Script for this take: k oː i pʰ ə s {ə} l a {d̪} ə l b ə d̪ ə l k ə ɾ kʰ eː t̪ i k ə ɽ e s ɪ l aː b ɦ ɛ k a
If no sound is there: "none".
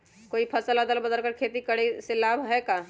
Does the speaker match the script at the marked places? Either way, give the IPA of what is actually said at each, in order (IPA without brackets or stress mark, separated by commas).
ə, d̪